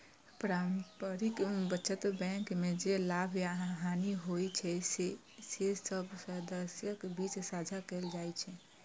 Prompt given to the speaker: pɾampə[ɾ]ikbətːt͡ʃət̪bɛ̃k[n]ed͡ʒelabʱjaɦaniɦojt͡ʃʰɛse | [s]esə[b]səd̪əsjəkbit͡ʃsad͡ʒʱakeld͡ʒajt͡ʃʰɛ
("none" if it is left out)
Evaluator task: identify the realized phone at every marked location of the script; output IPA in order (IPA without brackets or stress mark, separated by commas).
ɾ, m, s, b